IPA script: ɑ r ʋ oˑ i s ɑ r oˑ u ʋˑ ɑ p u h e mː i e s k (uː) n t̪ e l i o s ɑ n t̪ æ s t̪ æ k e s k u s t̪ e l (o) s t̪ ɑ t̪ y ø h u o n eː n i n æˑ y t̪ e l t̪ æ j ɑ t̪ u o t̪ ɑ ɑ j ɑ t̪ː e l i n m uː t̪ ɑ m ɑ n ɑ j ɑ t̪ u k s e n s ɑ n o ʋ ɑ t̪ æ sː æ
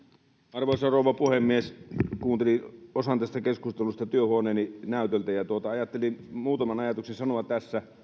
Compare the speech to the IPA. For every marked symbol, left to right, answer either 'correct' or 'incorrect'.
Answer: correct, incorrect: u

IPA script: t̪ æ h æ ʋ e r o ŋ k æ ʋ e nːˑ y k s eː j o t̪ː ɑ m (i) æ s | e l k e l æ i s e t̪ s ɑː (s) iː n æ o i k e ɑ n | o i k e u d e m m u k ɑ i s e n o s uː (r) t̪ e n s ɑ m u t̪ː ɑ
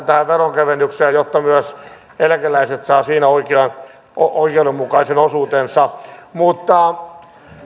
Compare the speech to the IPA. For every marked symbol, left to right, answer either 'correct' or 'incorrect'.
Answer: incorrect: y, correct, incorrect: none

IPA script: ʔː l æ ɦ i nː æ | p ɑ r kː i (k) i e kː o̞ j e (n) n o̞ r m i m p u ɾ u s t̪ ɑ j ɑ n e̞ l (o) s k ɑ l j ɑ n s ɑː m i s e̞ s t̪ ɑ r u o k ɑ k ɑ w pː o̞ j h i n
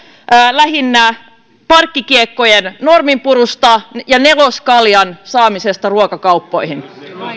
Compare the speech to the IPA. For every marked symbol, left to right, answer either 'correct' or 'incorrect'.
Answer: correct, correct, correct

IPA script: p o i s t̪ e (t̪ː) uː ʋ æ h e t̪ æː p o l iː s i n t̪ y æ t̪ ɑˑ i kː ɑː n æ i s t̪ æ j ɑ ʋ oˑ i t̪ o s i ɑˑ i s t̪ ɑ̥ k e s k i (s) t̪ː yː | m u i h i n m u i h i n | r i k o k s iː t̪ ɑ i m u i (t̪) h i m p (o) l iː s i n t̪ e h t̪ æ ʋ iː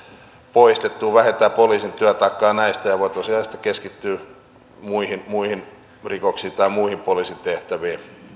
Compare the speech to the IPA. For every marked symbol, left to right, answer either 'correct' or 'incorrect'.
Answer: correct, incorrect: none, incorrect: none, correct

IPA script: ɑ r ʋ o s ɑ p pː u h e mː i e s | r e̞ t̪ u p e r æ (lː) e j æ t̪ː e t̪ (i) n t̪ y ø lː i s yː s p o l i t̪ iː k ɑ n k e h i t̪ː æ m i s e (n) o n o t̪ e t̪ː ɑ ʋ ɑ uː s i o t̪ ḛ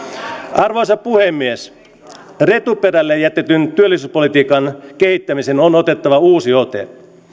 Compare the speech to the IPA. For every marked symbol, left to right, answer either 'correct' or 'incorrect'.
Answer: correct, incorrect: y, correct

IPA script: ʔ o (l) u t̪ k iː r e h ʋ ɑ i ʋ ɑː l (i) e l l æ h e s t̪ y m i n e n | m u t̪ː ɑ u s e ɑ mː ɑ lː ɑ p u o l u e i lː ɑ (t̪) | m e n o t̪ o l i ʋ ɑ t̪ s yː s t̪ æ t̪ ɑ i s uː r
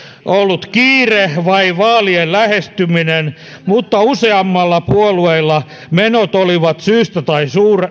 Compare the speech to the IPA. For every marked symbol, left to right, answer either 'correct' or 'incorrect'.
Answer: incorrect: lː, correct, incorrect: none

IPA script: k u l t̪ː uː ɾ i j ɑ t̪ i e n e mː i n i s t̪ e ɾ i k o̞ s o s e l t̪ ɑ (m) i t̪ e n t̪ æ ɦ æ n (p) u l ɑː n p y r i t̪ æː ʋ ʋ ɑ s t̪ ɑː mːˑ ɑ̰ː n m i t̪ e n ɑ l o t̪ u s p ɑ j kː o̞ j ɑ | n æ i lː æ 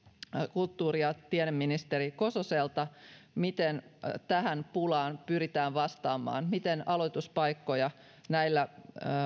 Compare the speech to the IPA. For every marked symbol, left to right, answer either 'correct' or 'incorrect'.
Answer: correct, correct

